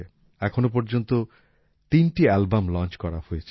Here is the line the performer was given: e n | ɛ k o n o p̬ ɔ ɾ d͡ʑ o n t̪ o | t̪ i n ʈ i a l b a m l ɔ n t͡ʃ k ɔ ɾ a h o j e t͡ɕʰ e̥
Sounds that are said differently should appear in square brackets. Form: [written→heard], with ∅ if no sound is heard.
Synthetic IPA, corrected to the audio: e [n→∅] | ɛ [k→kʰ] o n o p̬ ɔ ɾ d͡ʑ o n t̪ o | t̪ i n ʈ i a l b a m l ɔ n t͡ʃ k ɔ ɾ a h o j e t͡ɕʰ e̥